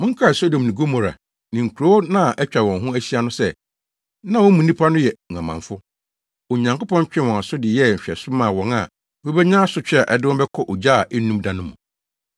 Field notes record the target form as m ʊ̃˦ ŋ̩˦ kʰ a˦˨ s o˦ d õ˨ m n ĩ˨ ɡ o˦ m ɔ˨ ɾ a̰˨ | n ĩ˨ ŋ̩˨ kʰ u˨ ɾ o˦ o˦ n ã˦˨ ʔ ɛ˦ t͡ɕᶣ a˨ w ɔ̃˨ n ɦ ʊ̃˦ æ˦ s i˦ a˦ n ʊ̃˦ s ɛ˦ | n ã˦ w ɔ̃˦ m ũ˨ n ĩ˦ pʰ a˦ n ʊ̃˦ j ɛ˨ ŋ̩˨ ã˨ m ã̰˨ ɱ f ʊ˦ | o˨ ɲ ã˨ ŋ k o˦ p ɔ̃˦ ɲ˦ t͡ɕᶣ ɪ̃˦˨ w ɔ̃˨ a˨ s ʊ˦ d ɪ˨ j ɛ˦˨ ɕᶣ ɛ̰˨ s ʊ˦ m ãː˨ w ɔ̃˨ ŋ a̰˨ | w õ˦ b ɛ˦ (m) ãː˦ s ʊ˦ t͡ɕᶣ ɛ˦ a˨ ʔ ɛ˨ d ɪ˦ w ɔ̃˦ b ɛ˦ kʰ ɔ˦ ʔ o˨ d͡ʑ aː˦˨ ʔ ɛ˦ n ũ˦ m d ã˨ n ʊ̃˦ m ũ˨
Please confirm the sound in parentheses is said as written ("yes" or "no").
no